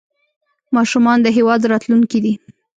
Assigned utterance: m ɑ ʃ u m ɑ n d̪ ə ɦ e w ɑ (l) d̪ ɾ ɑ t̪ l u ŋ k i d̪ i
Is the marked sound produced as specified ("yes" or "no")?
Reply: no